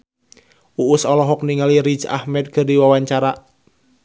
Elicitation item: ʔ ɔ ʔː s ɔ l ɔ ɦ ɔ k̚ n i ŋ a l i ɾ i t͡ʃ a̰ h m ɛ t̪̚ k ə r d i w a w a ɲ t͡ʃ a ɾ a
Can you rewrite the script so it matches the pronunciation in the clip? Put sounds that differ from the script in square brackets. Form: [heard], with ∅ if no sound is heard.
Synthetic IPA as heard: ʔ [u] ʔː s ɔ l ɔ ɦ ɔ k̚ n i ŋ a l i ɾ i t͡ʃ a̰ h m ɛ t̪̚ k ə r d i w a w a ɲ t͡ʃ a ɾ a